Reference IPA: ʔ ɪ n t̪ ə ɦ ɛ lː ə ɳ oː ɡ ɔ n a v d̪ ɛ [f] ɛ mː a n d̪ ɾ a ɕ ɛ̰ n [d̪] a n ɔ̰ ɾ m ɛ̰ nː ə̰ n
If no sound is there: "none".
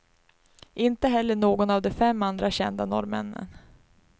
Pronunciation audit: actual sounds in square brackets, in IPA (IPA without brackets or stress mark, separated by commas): f, d̪